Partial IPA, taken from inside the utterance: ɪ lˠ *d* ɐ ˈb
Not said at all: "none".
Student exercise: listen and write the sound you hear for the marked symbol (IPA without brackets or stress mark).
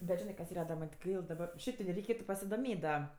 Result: d